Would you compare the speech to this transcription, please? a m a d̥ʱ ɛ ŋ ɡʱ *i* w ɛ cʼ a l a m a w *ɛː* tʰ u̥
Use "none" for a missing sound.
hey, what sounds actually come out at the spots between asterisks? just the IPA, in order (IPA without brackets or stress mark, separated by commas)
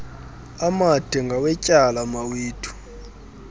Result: a, iː